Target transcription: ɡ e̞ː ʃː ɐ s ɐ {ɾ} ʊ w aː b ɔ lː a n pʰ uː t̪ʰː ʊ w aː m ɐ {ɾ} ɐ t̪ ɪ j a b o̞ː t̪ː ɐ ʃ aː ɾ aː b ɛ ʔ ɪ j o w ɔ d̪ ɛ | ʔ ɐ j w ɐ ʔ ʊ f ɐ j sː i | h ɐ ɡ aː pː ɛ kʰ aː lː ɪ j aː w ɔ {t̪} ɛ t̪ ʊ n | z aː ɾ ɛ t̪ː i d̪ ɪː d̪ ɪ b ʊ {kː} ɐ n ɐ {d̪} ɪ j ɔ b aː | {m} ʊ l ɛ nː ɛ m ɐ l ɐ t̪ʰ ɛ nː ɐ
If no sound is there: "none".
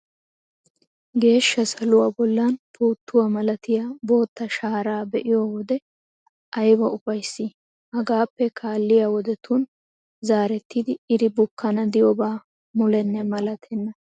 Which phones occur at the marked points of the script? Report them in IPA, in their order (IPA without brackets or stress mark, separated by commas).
l, l, d̪, kː, d̪, m